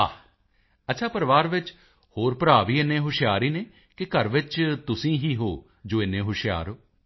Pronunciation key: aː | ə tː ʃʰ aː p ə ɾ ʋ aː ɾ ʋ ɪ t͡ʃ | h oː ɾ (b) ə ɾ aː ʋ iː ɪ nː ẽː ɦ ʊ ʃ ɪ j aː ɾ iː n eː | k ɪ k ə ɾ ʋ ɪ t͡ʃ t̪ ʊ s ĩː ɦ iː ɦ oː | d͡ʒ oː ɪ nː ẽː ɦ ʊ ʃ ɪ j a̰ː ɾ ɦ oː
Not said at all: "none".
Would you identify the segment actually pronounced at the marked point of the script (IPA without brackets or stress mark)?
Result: p